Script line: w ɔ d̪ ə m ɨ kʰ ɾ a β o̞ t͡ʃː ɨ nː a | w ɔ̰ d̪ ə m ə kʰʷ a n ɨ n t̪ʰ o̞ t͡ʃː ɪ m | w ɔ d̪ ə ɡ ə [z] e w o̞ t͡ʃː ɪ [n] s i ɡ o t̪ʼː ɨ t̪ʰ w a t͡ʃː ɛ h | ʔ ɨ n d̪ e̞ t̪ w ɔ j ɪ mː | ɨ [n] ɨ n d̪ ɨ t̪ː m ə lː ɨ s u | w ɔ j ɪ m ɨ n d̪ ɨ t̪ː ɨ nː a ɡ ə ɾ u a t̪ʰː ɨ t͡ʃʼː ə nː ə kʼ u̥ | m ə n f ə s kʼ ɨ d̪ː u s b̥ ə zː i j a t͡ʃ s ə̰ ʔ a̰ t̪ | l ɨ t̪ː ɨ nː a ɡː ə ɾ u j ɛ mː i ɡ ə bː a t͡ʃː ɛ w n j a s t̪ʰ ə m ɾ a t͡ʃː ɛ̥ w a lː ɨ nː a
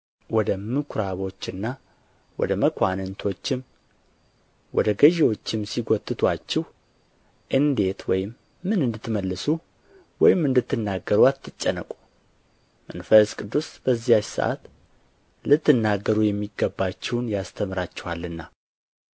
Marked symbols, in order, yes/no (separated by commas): no, no, yes